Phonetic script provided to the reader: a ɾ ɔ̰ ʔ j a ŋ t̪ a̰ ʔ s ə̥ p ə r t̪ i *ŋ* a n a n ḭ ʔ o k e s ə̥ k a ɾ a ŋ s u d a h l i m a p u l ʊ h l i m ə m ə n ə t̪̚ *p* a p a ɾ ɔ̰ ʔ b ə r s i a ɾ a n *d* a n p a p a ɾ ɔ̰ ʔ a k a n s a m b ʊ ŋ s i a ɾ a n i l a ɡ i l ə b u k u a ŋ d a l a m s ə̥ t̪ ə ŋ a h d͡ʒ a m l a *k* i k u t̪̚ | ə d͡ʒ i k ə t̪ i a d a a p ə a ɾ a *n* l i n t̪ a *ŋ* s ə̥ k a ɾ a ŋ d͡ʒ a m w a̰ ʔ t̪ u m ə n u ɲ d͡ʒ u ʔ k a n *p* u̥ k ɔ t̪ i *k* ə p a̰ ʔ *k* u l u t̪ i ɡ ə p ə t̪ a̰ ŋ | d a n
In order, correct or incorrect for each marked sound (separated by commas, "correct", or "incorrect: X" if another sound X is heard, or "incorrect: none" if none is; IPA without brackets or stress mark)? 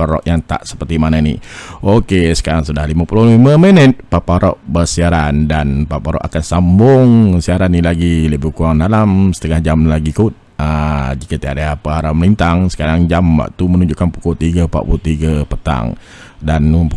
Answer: incorrect: m, correct, correct, incorrect: ɡ, incorrect: m, correct, correct, incorrect: ɡ, incorrect: p